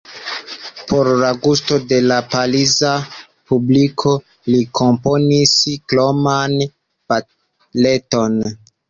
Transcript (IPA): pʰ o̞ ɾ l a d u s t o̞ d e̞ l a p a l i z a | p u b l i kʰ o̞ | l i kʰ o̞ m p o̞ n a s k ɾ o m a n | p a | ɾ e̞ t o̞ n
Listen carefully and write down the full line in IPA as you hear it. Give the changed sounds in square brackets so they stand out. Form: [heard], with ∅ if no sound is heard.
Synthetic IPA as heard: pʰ o̞ ɾ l a [ɡ] u s t o̞ d e̞ l a p a l i z a | p u b l i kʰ o̞ | l i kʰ o̞ m p o̞ n [i] s k [l] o m a n | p a | [l] e̞ t o̞ n